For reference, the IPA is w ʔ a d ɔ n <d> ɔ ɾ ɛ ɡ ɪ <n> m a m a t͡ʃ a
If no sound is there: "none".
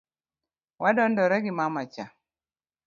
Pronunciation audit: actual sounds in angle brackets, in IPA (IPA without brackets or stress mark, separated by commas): d, none